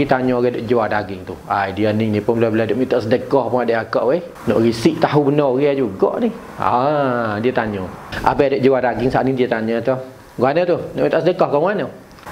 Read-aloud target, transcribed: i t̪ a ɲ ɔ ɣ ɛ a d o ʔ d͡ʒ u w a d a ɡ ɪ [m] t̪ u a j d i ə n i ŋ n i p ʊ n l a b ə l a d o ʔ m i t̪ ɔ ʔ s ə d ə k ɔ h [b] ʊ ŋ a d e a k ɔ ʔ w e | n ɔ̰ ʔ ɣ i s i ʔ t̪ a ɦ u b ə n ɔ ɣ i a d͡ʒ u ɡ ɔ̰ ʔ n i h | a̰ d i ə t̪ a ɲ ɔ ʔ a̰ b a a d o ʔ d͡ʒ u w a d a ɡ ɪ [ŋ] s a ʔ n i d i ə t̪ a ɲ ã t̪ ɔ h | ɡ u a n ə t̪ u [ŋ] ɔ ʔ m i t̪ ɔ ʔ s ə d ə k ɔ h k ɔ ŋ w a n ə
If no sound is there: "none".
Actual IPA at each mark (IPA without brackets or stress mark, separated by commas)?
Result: ŋ, p, ŋ, n